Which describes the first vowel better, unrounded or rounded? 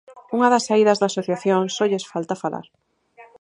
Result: rounded